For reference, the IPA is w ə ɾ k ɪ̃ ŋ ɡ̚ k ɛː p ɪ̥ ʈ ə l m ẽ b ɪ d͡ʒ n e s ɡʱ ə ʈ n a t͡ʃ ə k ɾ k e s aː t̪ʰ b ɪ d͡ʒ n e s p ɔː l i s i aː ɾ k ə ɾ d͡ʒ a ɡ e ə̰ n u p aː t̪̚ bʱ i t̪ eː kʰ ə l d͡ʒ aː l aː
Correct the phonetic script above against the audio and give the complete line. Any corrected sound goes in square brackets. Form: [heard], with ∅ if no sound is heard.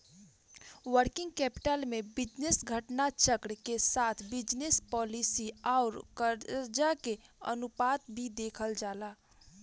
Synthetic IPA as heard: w ə ɾ k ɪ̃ ŋ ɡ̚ k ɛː p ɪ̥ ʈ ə l m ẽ b ɪ d͡ʒ n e s ɡʱ ə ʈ n a t͡ʃ ə k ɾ k e s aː t̪ʰ b ɪ d͡ʒ n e s p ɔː l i s i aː ɾ k ə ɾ d͡ʒ a [k] e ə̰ n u p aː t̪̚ bʱ i [d̪] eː kʰ ə l d͡ʒ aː l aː

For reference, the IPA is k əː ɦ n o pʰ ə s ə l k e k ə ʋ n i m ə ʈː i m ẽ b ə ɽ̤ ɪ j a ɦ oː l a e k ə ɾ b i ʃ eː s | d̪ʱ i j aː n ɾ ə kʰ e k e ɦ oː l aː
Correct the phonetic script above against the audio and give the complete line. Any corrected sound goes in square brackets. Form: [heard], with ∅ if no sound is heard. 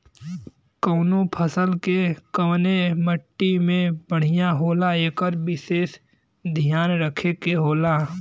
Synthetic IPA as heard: k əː [∅] n o pʰ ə s ə l k e k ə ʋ n [e] m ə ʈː i m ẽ b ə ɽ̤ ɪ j a ɦ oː l a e k ə ɾ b [ɪ] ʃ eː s | d̪ʱ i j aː n ɾ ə kʰ e k e ɦ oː l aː

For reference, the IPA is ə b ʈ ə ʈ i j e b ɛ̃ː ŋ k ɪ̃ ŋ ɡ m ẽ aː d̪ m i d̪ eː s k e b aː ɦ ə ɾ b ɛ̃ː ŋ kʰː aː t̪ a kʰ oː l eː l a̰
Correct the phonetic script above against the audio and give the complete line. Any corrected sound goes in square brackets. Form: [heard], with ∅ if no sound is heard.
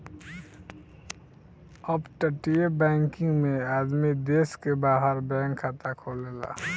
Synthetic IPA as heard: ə b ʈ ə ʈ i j e b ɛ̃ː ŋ k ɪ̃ ŋ ɡ m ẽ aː d̪ m i d̪ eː s k e b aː ɦ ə ɾ b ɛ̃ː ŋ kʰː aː t̪ a kʰ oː l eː l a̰

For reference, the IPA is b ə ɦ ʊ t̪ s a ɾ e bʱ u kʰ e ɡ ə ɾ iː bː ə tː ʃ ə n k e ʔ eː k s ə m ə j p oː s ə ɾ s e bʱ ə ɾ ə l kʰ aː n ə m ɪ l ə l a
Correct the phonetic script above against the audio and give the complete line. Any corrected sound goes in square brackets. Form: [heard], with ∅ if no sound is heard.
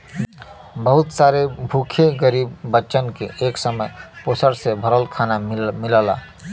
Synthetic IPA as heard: b ə ɦ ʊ t̪ s a ɾ e bʱ u kʰ e ɡ ə ɾ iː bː ə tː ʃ ə n k e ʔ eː k s ə m ə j p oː s ə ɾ s e bʱ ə ɾ ə l kʰ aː n [a] m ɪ l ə l a

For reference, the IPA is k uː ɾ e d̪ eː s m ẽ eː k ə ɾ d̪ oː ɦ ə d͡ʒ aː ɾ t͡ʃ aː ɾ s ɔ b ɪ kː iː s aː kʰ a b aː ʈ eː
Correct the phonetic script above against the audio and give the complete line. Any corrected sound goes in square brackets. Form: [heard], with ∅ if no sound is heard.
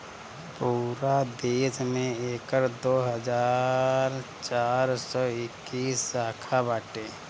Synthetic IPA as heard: [p] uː ɾ [a] d̪ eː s m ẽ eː k ə ɾ d̪ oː ɦ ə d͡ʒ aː ɾ t͡ʃ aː ɾ s ɔ [∅] ɪ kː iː s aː kʰ a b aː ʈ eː

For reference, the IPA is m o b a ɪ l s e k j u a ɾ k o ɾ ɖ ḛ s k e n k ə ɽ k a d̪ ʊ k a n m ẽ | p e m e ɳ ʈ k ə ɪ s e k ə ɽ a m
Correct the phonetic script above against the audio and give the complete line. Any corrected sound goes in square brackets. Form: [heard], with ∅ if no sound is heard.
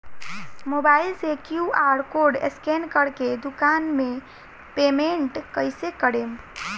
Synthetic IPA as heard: m o b a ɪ l s e k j u a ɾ k o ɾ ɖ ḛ s k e n k ə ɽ k [e] d̪ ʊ k a n m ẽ | p e m e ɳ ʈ k ə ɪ s e k ə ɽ [e] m

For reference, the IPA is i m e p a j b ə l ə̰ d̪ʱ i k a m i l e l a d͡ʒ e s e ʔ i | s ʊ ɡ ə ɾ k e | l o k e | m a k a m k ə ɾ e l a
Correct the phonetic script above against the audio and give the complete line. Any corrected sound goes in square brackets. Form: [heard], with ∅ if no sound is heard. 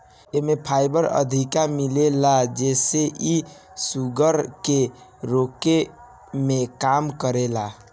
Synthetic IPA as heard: [e] m e [pʰ] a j b ə [ɾ] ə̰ d̪ʱ i k a m i l e l a d͡ʒ e s e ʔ i | s [u] ɡ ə ɾ k e | [ɾ] o k e | m [e] k a m k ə ɾ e l a

